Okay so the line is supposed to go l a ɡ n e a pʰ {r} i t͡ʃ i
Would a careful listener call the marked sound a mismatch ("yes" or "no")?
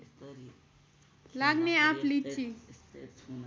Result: yes